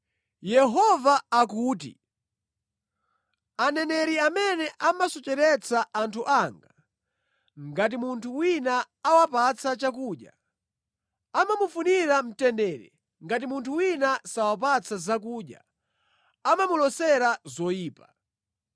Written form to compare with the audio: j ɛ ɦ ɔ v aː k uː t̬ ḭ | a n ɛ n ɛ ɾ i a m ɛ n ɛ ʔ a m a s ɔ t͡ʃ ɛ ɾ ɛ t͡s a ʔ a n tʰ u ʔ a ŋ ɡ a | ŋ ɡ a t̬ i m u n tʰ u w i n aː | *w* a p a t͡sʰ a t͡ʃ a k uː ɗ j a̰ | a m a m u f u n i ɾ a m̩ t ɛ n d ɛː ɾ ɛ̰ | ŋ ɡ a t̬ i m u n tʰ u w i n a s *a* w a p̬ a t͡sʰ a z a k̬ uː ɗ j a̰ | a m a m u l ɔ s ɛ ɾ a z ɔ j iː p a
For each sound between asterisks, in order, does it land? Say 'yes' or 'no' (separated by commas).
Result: yes, yes